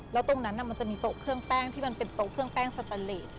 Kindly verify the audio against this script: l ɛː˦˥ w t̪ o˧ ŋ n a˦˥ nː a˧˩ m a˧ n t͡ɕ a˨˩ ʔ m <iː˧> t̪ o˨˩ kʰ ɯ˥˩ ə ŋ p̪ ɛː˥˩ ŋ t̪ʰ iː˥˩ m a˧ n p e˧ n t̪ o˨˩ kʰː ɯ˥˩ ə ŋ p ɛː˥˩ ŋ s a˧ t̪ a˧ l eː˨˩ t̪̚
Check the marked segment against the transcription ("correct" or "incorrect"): correct